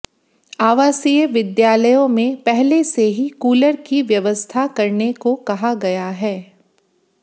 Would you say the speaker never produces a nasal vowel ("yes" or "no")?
no